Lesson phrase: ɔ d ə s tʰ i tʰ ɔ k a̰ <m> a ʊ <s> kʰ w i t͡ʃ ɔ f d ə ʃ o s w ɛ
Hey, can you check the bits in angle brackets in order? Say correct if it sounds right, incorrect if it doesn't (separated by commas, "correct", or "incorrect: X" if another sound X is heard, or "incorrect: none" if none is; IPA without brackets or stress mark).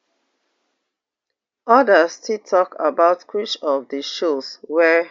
incorrect: b, incorrect: t